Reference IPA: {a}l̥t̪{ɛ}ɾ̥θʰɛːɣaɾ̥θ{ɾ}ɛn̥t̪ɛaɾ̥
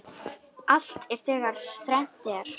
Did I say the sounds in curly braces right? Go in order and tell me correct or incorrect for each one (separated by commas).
correct, correct, correct